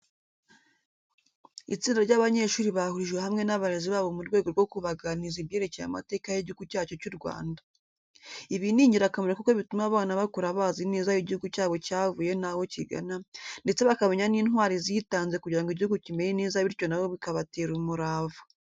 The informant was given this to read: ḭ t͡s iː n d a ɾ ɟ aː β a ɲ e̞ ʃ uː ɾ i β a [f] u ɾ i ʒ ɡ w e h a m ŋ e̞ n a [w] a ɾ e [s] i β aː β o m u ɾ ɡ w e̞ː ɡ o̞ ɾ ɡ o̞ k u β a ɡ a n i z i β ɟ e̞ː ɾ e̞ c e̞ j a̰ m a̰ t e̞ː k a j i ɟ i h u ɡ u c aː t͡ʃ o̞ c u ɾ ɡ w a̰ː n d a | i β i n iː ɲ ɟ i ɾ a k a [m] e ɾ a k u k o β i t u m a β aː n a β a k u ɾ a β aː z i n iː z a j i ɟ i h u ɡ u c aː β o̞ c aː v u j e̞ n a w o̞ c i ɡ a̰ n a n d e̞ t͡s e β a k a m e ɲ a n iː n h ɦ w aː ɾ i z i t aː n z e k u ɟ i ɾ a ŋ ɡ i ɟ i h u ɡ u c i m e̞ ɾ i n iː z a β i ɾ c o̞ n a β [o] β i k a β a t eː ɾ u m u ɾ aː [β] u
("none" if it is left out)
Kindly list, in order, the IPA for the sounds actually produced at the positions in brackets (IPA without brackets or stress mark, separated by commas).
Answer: h, β, z, m, o, v